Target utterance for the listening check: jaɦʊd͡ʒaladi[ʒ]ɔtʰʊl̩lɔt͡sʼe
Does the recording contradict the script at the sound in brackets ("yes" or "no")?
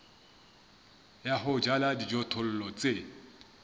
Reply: yes